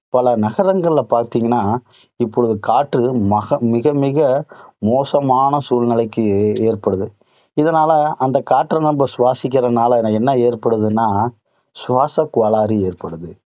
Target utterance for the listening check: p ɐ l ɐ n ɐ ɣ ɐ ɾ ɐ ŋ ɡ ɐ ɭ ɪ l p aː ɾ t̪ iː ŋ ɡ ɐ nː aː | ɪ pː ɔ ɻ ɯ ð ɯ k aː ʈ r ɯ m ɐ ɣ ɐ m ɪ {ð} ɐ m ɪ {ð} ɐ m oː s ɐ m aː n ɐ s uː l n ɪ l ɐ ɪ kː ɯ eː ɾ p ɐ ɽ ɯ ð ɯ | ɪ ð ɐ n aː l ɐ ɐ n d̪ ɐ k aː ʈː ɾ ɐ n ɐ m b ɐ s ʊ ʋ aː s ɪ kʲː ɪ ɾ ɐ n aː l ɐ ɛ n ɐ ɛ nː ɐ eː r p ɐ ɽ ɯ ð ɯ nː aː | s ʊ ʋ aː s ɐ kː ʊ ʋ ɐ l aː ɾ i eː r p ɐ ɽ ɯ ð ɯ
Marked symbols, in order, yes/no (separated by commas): no, no